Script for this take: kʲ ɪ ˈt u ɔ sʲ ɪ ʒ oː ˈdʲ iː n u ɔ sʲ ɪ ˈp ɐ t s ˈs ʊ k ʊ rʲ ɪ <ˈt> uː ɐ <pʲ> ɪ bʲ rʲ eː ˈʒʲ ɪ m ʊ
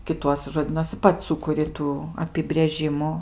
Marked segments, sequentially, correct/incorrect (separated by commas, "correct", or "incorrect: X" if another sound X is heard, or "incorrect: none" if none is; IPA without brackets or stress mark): correct, correct